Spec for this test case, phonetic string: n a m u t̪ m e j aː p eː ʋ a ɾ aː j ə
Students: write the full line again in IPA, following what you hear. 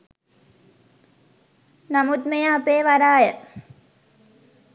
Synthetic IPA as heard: n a m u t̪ m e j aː p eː ʋ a ɾ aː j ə